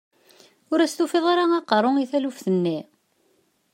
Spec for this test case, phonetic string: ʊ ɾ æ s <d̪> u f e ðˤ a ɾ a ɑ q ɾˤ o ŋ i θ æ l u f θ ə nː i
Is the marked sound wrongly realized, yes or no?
yes